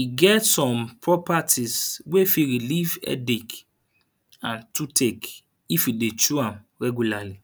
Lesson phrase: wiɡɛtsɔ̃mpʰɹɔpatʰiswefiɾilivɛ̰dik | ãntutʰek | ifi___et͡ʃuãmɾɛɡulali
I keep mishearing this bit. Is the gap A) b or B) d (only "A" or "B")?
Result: B